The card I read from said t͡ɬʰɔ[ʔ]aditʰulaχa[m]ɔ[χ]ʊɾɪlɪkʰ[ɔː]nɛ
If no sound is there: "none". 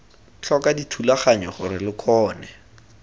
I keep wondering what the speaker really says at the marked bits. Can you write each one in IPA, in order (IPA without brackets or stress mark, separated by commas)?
k, ɲ, χ, ɔː